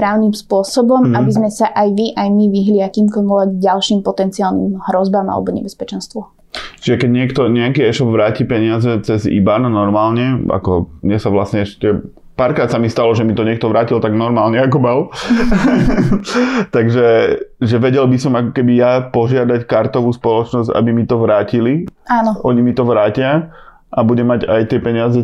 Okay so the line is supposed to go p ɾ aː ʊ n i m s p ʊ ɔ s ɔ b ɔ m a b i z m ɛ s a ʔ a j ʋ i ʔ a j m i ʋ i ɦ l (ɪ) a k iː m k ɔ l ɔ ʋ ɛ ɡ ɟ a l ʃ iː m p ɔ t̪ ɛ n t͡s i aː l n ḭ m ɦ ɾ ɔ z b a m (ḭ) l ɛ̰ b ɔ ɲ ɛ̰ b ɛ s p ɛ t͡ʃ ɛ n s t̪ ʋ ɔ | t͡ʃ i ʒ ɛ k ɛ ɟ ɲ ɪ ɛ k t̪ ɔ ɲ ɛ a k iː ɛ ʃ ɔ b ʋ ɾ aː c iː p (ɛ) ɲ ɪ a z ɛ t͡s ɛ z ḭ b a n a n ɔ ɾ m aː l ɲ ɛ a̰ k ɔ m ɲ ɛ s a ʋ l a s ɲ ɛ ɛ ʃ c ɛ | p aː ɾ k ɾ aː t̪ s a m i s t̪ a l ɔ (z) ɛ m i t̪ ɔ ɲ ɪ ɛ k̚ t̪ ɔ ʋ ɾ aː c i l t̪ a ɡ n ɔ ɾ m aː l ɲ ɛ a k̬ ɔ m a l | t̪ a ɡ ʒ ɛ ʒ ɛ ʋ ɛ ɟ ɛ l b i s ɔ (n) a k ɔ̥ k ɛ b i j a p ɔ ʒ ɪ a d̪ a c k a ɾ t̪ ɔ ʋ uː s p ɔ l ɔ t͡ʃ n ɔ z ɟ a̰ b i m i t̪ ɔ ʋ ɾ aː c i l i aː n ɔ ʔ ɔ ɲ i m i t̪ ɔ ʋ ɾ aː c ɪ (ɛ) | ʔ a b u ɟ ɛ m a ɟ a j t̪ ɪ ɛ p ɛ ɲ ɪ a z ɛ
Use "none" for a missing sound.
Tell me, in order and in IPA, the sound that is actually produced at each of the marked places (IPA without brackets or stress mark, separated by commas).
i, a̰, ɛ, ʒ, m, a